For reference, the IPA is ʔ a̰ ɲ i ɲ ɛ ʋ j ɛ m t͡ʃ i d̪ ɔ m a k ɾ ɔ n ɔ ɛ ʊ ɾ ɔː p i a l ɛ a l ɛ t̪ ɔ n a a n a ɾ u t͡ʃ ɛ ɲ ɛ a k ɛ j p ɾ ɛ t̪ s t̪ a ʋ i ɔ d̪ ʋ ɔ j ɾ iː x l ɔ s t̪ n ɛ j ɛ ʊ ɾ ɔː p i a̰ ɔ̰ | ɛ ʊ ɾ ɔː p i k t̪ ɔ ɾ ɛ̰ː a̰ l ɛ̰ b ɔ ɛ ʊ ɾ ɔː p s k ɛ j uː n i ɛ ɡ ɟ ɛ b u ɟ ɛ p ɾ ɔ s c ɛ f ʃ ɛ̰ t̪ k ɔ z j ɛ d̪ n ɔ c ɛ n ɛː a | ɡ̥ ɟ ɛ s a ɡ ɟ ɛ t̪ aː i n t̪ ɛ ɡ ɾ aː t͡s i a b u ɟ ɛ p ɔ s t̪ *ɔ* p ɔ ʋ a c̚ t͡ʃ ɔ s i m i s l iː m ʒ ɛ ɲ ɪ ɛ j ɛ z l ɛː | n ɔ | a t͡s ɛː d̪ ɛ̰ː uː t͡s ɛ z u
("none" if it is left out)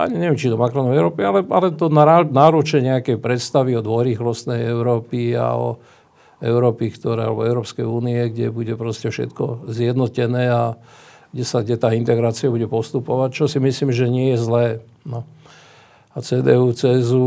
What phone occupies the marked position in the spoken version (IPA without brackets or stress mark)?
u